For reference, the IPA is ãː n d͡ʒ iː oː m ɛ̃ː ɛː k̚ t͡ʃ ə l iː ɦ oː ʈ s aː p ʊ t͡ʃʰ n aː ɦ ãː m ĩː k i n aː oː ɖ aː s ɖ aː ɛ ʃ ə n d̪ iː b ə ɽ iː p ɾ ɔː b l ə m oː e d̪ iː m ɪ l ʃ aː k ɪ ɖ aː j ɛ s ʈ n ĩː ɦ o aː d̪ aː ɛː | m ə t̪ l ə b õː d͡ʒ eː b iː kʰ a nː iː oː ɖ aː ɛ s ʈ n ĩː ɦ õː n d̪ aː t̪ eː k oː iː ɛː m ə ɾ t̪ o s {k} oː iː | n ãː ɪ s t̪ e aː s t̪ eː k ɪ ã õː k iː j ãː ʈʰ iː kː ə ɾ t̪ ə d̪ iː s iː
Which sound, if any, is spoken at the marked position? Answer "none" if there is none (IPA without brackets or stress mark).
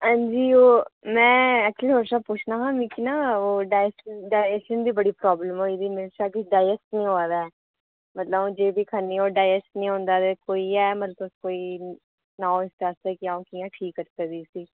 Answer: k